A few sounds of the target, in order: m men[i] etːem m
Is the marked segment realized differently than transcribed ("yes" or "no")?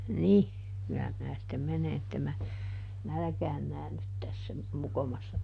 yes